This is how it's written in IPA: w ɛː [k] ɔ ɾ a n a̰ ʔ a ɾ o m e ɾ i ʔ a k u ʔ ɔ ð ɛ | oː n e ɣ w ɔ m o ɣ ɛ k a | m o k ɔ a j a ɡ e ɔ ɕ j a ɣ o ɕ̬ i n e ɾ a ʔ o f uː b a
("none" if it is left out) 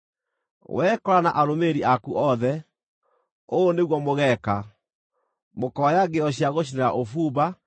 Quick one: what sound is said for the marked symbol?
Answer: k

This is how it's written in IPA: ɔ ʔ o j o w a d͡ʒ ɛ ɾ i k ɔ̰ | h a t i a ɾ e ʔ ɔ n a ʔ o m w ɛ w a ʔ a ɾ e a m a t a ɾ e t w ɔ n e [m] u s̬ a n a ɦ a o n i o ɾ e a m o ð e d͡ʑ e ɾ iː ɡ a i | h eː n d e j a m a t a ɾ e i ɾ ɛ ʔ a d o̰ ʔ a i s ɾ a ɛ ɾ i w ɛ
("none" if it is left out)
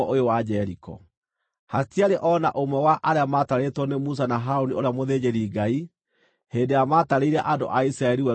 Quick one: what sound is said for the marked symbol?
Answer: m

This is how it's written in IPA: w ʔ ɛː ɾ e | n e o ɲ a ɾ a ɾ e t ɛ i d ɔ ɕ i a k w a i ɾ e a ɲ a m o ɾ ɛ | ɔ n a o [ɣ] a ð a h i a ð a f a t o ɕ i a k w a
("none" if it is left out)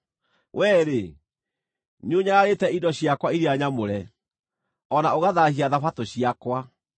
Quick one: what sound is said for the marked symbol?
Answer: ɣ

